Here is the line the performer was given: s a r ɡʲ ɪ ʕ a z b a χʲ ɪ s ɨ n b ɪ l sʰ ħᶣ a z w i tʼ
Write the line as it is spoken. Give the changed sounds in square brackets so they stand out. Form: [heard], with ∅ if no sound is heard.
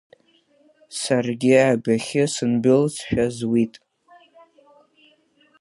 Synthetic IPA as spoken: s a r ɡʲ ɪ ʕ a [∅] b a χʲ ɪ s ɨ n b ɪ l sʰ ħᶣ a z w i tʼ